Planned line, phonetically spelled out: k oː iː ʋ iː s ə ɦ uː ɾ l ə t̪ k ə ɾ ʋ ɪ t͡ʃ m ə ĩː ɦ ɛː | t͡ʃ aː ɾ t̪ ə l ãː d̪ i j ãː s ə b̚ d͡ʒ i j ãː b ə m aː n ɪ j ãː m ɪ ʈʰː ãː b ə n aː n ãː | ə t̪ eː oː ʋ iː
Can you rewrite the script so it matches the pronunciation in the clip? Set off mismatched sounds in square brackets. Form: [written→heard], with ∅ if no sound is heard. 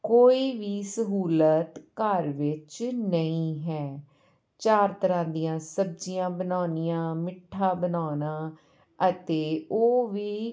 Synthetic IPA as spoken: k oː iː ʋ iː s ə ɦ uː [ɾ→∅] l ə t̪ k ə ɾ ʋ ɪ t͡ʃ [m→n] ə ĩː ɦ ɛː | t͡ʃ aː ɾ t̪ ə [l→ɾ] ãː d̪ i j ãː s ə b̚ d͡ʒ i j ãː b ə [m→n] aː n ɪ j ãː m ɪ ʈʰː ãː b ə n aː n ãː | ə t̪ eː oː ʋ iː